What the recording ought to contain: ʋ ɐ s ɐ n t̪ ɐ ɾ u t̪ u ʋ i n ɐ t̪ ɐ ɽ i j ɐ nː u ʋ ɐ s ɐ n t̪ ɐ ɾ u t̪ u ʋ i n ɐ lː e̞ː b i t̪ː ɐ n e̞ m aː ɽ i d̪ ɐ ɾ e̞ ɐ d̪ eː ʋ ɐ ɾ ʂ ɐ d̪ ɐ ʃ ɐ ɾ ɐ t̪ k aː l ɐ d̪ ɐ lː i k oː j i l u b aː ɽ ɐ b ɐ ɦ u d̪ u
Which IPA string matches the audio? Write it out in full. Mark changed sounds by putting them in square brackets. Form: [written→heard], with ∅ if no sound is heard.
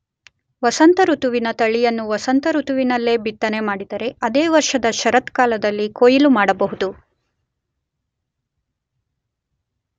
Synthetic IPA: ʋ ɐ s ɐ n t̪ ɐ ɾ u t̪ u ʋ i n ɐ t̪ ɐ [ɽ→ɭ] i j ɐ nː u ʋ ɐ s ɐ n t̪ ɐ ɾ u t̪ u ʋ i n ɐ lː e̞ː b i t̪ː ɐ n e̞ m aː ɽ i d̪ ɐ ɾ e̞ ɐ d̪ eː ʋ ɐ ɾ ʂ ɐ d̪ ɐ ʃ ɐ ɾ ɐ t̪ k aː l ɐ d̪ ɐ lː i k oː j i l u [b→m] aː ɽ ɐ b ɐ ɦ u d̪ u